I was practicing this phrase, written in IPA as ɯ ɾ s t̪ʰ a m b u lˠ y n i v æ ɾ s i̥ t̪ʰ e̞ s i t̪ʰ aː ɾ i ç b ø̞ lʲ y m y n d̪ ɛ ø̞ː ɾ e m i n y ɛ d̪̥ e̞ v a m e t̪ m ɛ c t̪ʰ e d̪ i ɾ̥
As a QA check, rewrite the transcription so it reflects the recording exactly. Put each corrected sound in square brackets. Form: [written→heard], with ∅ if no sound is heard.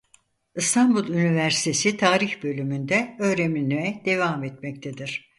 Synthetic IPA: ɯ [ɾ→∅] s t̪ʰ a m b u lˠ y n i v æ ɾ s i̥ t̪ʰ e̞ s i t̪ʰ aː ɾ i ç b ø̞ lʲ y m y n d̪ ɛ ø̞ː ɾ e m i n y ɛ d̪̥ e̞ v a m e t̪ m ɛ c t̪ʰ e d̪ i ɾ̥